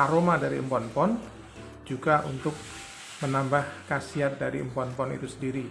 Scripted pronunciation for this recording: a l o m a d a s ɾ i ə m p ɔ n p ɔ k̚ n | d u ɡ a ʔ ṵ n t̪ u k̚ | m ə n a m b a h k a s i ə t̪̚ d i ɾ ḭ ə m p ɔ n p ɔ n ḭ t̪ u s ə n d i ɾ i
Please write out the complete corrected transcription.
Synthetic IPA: a ɾ o m a d a ɾ i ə m p ɔ n p ɔ n | d͡ʒ u ɡ a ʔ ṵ n t̪ ʊ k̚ | m ə n a m b a h k a s i a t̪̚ d a ɾ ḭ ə m p ɔ n p ɔ n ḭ t̪ u s ə n d i ɾ i